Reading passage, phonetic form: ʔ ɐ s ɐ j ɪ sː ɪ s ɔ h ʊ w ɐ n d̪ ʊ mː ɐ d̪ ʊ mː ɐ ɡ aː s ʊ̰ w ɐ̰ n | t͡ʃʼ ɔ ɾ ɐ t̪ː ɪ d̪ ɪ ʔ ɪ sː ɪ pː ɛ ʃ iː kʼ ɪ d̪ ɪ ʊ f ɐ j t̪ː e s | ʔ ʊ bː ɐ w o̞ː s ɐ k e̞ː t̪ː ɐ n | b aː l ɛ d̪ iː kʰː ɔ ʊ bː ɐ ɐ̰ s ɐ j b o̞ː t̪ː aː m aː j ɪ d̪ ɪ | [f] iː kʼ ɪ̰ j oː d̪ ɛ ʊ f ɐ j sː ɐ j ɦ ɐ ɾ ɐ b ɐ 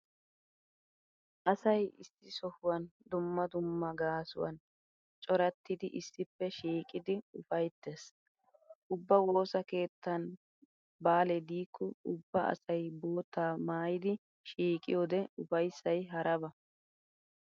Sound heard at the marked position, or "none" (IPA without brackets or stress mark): ʃ